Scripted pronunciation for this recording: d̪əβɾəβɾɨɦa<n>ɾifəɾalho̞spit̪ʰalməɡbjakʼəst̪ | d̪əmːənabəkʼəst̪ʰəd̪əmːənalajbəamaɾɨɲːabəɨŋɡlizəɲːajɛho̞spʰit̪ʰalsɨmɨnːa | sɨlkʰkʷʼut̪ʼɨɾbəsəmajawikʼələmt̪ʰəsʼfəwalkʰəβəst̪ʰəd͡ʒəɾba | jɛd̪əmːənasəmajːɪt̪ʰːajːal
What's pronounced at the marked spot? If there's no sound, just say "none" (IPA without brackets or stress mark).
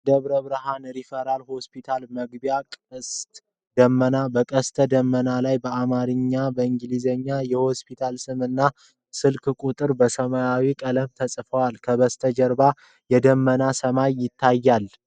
n